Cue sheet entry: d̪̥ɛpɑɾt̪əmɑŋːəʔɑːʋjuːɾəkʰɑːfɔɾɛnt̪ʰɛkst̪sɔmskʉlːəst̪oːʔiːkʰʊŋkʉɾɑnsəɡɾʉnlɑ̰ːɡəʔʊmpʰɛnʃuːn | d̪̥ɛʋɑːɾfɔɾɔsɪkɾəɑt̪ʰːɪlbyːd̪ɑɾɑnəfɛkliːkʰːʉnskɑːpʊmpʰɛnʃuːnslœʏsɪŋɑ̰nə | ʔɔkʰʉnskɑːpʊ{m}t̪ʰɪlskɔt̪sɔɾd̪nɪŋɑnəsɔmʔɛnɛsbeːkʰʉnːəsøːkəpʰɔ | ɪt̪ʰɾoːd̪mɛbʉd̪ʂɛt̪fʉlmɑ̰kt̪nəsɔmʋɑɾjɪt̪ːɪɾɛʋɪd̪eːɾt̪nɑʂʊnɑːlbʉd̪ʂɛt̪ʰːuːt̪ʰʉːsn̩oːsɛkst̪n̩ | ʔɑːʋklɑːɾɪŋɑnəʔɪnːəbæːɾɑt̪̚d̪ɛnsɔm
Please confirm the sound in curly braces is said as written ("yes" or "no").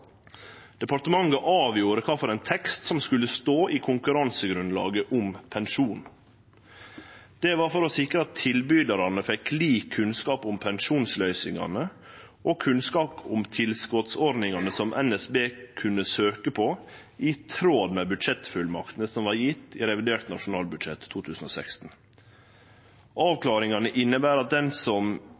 yes